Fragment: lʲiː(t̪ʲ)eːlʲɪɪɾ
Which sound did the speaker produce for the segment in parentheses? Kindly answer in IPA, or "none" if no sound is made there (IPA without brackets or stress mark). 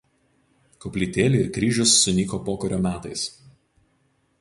t̪ʲ